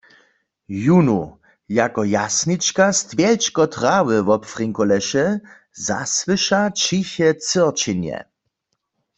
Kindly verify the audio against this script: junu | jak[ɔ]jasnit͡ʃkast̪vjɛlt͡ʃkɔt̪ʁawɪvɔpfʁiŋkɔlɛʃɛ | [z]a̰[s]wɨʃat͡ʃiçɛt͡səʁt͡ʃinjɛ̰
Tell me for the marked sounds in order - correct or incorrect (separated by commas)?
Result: correct, correct, correct